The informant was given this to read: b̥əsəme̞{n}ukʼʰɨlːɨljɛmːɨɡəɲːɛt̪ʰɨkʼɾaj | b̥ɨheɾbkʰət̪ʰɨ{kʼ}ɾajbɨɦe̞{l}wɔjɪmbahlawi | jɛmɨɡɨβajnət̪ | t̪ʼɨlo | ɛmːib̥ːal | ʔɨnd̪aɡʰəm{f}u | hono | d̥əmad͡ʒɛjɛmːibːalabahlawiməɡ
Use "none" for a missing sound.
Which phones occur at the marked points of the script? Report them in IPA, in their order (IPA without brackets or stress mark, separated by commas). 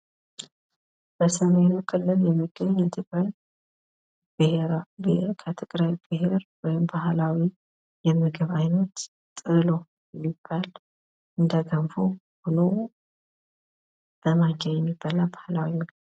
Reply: n, kʼ, ɾ, f